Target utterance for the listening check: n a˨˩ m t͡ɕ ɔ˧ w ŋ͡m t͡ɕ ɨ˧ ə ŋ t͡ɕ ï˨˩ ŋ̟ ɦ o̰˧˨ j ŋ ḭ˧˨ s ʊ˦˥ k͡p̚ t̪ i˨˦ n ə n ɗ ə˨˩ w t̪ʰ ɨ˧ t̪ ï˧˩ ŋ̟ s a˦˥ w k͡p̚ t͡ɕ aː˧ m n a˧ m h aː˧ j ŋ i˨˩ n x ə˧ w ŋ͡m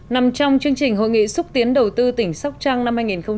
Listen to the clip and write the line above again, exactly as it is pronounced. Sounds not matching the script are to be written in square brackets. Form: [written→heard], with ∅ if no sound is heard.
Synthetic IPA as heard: n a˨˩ m t͡ɕ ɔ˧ w ŋ͡m t͡ɕ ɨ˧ ə ŋ t͡ɕ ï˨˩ ŋ̟ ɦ o̰˧˨ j ŋ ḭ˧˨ s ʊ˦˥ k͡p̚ t̪ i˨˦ [n→∅] ə n ɗ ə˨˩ w [t̪ʰ→t̪] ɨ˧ t̪ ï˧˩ ŋ̟ s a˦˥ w k͡p̚ t͡ɕ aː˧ [m→ŋ] n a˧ m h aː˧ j ŋ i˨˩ n x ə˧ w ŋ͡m